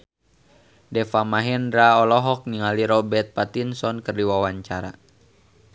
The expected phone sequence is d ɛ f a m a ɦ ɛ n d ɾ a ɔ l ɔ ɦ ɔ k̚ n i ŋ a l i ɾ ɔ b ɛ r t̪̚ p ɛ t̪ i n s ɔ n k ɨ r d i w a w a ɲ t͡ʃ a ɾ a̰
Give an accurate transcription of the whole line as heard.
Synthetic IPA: d ɛ f a m a ɦ ɛ n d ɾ a ɔ l ɔ ɦ ɔ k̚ n i ŋ a l i ɾ ɔ b ɛ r t̪̚ p a t̪ i n s ɔ n k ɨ r d i w a w a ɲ t͡ʃ a ɾ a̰